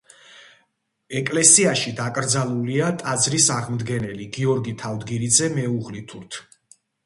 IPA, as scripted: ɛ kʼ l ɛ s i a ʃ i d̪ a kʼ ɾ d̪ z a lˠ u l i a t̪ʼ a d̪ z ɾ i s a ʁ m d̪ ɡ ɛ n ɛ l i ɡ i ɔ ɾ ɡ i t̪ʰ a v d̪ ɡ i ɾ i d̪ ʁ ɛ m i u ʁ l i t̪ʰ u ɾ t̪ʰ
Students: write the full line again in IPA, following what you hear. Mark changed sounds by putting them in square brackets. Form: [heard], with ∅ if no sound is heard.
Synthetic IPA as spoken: ɛ kʼ l ɛ s i a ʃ i d̪ a kʼ ɾ d̪ z a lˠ u l i a t̪ʼ a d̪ z ɾ i s a ʁ m d̪ ɡ ɛ n ɛ l i ɡ i ɔ ɾ ɡ i t̪ʰ a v d̪ ɡ i ɾ i d̪ [z] ɛ m [ɛ] u ʁ l i t̪ʰ u ɾ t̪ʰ